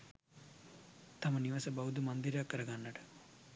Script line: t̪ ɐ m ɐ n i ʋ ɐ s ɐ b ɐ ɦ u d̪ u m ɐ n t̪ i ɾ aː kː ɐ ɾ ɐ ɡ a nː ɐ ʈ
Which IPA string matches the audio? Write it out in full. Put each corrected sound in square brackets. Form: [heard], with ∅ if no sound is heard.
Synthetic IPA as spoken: t̪ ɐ m ɐ n i ʋ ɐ s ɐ b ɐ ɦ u d̪ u m ɐ n [d̪] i ɾ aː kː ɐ ɾ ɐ ɡ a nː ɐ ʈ